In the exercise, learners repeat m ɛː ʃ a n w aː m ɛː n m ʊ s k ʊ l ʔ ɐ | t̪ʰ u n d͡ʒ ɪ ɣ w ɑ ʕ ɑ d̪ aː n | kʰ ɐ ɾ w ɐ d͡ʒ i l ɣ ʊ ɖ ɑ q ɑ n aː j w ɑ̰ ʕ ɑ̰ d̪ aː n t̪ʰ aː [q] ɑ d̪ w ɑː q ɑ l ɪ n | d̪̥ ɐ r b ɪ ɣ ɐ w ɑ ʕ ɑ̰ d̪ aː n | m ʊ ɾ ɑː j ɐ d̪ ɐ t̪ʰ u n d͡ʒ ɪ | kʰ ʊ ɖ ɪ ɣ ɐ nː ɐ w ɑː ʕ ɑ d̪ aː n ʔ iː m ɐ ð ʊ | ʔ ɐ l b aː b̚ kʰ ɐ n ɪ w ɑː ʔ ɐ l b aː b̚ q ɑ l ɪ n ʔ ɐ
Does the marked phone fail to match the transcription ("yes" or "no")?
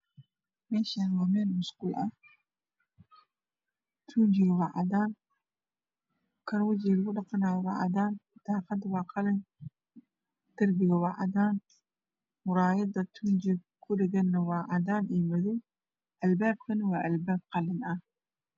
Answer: no